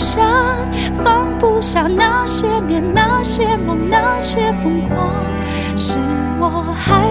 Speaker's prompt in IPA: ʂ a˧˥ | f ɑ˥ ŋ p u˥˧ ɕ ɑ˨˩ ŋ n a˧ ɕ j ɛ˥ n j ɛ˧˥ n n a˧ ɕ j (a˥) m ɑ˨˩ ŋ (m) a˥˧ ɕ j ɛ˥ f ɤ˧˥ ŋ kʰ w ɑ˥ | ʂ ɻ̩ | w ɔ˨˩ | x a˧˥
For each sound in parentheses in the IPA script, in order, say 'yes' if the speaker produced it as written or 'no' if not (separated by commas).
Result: no, no